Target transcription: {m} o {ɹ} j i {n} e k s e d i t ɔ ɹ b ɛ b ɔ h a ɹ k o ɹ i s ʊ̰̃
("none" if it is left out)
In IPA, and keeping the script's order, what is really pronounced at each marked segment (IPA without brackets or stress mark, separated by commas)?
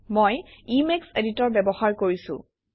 m, none, m